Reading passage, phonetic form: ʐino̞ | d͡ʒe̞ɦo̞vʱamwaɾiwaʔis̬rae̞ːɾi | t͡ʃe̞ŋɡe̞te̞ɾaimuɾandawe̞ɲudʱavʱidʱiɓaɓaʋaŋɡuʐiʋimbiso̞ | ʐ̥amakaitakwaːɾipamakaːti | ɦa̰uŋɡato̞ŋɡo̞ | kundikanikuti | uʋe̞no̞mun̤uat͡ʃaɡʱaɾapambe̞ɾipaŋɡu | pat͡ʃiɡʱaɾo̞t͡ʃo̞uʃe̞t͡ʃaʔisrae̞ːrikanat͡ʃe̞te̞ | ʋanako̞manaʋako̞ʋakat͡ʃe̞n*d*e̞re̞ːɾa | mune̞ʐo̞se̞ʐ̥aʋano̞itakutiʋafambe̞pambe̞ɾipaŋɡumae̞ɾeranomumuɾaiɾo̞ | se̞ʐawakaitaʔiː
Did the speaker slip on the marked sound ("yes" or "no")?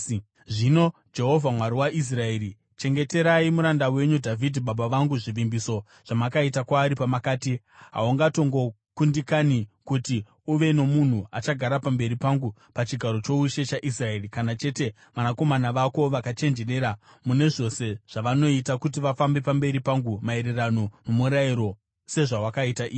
yes